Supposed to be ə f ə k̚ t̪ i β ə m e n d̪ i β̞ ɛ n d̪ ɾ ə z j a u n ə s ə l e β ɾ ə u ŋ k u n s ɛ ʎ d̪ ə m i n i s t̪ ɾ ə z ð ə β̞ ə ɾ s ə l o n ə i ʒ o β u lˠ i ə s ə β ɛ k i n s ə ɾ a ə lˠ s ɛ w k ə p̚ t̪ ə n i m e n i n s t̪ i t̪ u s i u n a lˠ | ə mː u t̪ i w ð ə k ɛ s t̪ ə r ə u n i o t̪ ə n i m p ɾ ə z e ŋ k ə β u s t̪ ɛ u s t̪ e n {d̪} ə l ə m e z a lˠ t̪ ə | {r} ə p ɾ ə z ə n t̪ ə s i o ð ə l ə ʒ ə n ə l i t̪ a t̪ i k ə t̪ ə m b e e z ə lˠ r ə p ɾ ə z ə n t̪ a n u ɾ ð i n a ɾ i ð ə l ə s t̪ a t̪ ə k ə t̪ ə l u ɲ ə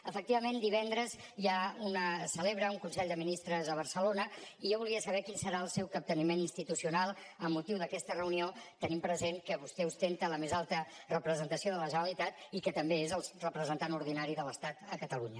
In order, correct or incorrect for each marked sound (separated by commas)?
incorrect, correct